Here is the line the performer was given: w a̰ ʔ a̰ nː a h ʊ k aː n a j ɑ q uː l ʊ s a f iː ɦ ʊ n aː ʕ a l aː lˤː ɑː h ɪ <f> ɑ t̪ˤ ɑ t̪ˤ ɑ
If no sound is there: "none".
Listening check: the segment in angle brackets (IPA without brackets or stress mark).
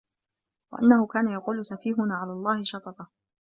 ʃ